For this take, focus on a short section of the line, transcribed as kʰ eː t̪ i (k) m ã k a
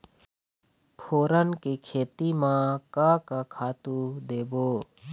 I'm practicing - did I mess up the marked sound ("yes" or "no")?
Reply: yes